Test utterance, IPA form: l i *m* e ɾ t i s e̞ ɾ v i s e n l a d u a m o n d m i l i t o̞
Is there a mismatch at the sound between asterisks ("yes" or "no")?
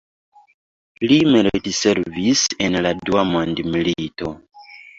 no